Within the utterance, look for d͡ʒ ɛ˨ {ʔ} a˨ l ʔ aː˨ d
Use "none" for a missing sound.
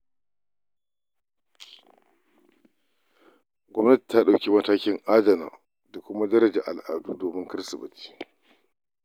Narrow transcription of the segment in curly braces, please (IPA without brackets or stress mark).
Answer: ʔ